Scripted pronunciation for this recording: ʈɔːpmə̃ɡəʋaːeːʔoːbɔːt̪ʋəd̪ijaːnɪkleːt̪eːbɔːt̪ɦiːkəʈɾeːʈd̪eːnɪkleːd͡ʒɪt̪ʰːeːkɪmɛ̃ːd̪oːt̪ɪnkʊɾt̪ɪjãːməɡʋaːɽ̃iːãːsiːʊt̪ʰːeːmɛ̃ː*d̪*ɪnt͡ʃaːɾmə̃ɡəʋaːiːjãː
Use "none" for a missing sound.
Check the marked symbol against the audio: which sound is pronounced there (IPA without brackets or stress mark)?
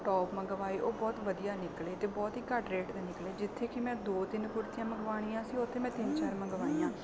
t̪